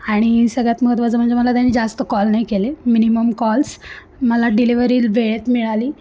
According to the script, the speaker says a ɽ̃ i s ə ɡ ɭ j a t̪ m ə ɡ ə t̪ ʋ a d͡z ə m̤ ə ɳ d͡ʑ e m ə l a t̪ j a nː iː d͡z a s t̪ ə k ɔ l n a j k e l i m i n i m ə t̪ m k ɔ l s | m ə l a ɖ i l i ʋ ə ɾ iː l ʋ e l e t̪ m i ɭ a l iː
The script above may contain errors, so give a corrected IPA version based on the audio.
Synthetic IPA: a ɽ̃ i s ə ɡ ɭ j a t̪ m ə ɡ ə t̪ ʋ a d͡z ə m̤ ə ɳ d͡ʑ e m ə l a t̪ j a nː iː d͡z a s t̪ ə k ɔ l n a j k e l e m i n i m ə m k ɔ l s | m ə l a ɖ i l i ʋ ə ɾ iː l ʋ e ɭ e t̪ m i ɭ a l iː